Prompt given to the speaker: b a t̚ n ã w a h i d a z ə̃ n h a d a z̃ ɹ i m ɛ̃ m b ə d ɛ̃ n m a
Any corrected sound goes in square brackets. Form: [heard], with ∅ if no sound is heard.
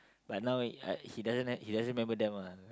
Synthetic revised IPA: b a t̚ n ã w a h i d a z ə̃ n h [i] d a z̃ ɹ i m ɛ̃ m b ə d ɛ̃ [∅] m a